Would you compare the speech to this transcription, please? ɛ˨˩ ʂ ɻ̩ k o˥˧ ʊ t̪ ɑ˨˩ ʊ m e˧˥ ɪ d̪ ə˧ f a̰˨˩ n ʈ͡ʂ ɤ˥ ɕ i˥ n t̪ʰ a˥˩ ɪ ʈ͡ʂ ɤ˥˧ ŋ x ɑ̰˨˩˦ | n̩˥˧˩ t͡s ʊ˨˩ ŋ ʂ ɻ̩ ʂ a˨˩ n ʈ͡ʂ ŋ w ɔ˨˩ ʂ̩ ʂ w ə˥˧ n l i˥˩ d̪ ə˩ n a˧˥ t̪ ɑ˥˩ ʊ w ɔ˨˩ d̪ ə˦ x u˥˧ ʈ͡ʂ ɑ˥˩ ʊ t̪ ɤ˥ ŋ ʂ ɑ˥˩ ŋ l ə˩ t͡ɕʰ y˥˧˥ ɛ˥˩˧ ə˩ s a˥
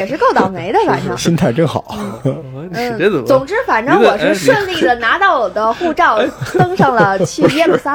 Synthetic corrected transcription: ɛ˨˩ ʂ ɻ̩ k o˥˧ ʊ t̪ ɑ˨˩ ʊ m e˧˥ ɪ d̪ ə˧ f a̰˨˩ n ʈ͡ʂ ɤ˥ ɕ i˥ n t̪ʰ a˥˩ ɪ ʈ͡ʂ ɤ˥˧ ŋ x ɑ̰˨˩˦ | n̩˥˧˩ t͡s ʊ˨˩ ŋ ʈ͡ʂ ɻ̩ f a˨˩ n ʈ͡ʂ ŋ w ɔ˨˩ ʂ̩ ʂ w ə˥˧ n l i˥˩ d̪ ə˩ n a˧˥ t̪ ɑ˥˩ ʊ w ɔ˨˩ d̪ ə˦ x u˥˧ ʈ͡ʂ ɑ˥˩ ʊ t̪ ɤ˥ ŋ ʂ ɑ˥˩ ŋ l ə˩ t͡ɕʰ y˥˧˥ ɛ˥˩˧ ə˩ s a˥